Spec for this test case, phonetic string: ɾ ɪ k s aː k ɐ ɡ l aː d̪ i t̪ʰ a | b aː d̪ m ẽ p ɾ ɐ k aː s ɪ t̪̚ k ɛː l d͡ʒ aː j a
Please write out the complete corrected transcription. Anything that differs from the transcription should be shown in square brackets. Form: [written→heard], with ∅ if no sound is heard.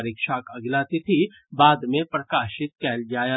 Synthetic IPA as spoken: ɾ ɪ k [s→ʃ] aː k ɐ ɡ l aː [d̪→t̪] i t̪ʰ [a→i] | b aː d̪ m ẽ p ɾ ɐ k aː [s→ʃ] ɪ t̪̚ k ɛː l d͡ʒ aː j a